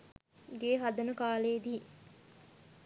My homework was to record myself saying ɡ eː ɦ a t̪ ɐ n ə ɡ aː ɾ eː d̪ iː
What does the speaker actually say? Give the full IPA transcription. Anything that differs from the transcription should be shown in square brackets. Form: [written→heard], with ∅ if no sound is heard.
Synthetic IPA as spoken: ɡ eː ɦ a [t̪→d̪] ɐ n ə [ɡ→k] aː [ɾ→l] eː d̪ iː